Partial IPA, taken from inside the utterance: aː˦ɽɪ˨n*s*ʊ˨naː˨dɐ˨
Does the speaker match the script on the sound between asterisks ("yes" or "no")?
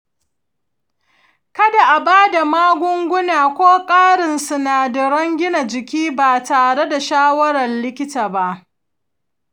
yes